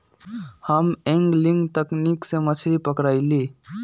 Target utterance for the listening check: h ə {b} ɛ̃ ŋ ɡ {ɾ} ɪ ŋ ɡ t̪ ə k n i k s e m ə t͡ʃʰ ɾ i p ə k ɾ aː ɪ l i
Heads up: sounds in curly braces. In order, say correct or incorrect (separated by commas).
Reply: incorrect, incorrect